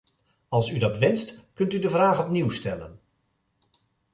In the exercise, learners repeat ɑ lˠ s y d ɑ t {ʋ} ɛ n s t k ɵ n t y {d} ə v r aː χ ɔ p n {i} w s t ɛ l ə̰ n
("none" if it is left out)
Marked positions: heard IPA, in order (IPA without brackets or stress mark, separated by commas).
ʋ, d, i